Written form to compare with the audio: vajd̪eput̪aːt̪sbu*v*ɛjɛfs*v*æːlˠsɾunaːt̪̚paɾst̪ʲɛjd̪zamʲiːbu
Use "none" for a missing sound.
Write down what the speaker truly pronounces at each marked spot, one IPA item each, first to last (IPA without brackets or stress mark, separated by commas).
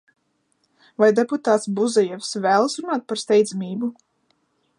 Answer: z, v